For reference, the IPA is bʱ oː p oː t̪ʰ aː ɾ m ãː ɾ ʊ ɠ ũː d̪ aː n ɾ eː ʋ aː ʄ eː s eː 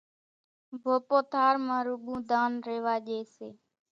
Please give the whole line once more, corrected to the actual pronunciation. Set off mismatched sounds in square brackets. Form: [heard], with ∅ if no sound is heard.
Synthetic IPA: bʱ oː p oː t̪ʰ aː ɾ m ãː ɾ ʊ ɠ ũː d̪ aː n ɾ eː ʋ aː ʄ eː s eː